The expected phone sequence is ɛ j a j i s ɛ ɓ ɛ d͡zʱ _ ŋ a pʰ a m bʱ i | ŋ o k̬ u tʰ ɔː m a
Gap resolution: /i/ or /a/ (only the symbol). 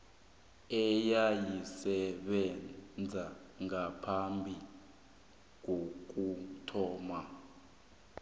a